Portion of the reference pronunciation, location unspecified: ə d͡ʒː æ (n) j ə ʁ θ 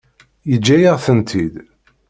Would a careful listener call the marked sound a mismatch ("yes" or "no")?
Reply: yes